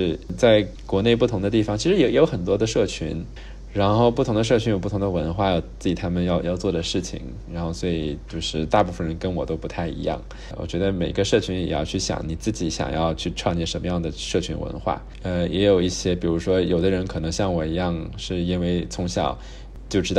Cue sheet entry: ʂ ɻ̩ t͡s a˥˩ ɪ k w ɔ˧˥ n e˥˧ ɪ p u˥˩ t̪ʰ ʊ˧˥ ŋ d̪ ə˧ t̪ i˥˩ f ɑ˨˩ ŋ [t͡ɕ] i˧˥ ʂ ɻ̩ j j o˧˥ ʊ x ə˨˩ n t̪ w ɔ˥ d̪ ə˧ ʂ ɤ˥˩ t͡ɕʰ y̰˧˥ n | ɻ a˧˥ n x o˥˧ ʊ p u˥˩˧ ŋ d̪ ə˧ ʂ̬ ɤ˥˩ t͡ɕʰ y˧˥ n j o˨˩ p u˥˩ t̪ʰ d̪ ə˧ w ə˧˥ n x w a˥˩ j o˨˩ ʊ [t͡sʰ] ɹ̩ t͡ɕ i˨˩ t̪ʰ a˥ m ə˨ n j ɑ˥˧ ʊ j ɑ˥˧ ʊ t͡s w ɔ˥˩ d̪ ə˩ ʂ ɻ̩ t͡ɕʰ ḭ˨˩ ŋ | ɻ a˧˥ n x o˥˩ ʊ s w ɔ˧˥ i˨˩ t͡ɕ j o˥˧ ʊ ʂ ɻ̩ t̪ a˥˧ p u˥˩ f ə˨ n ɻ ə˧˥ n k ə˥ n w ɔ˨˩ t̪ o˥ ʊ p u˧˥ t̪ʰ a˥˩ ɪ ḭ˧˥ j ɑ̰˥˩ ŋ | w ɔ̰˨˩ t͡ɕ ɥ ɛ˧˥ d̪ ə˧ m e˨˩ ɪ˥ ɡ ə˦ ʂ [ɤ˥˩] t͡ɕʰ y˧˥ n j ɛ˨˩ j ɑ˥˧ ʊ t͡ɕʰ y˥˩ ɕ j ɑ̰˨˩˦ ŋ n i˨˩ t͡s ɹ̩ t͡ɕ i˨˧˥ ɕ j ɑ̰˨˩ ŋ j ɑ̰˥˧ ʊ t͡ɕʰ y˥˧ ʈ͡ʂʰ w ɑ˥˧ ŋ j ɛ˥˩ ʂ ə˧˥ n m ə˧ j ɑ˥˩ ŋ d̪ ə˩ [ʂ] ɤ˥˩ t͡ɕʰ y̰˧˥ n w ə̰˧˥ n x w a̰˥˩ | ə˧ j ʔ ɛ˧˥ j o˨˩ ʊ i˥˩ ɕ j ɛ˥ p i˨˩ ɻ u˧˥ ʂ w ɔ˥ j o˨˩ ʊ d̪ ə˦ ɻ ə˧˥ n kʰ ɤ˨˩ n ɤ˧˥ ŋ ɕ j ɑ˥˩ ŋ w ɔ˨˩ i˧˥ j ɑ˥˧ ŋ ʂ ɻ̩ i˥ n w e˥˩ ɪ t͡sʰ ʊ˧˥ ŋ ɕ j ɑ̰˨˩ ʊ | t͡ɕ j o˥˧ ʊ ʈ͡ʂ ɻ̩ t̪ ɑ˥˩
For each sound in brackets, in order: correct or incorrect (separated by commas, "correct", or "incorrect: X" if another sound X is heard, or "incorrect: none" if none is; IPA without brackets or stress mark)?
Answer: incorrect: t͡ɕʰ, incorrect: t͡s, correct, correct